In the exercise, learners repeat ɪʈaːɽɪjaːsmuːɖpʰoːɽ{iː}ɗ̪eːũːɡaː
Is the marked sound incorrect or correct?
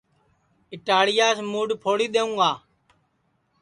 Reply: correct